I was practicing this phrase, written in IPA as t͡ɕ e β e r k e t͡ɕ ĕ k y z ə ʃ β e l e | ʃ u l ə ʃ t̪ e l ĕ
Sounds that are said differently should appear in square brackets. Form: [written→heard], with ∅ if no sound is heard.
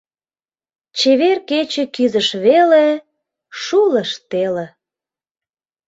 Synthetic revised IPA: t͡ɕ e β e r k e t͡ɕ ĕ k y z ə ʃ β e l e | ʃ u l ə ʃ t̪ e l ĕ